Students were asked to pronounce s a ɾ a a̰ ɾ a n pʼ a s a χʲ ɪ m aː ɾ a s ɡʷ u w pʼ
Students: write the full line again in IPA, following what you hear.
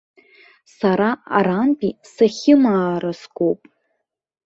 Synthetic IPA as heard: s a ɾ a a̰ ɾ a n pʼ i s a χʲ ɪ m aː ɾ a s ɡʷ o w pʼ